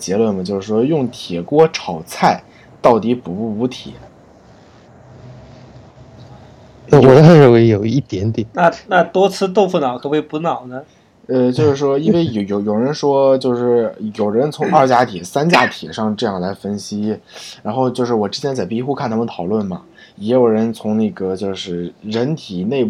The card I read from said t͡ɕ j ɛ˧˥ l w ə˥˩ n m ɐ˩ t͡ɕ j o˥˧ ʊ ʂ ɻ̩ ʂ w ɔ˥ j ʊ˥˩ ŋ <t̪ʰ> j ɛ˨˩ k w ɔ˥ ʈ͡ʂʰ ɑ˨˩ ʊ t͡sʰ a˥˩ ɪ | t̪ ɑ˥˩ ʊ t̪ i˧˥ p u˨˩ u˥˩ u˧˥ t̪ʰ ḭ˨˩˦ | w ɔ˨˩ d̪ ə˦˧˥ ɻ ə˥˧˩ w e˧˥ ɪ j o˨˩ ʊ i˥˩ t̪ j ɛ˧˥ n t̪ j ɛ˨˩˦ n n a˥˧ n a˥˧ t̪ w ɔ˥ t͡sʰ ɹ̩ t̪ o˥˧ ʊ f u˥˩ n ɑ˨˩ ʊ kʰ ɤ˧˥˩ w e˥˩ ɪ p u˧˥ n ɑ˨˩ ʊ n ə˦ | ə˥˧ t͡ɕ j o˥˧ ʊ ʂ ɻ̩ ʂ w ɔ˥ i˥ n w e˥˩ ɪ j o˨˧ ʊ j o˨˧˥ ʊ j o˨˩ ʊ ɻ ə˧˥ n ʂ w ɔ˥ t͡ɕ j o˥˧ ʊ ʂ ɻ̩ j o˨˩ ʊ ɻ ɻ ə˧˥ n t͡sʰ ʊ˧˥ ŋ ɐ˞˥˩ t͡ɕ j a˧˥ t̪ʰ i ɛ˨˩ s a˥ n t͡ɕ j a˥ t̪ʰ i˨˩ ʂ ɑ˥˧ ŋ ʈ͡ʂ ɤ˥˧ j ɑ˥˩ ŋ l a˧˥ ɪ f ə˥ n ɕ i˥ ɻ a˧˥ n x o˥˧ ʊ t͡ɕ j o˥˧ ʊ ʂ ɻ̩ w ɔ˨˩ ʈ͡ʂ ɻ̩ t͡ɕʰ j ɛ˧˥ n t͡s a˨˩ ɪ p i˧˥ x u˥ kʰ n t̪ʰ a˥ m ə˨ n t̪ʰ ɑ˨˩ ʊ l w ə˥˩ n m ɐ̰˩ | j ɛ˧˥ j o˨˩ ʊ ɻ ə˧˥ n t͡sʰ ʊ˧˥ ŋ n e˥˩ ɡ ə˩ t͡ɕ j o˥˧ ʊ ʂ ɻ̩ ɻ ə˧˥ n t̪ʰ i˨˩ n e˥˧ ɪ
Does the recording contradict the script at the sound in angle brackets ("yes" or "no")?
no